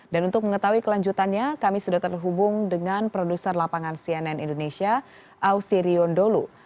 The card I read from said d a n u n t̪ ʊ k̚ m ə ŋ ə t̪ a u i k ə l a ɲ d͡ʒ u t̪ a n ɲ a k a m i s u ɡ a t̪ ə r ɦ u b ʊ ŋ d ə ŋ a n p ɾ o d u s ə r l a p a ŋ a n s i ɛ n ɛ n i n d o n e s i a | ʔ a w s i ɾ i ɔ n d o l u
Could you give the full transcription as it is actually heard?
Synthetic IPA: d a n u n t̪ ʊ k̚ m ə ŋ ə t̪ a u i k ə l a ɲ d͡ʒ u t̪ a n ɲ a k a m i s u d a t̪ ə r ɦ u b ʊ ŋ d ə ŋ a n p ɾ o d u s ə r l a p a ŋ a n s i ɛ n ɛ n i n d o n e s i a | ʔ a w s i ɾ i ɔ n d o l u